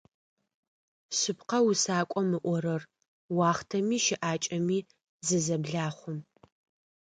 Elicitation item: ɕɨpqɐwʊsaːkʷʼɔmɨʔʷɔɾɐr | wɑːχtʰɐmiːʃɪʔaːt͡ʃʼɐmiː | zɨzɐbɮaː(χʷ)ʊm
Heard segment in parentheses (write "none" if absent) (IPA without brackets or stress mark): χʷ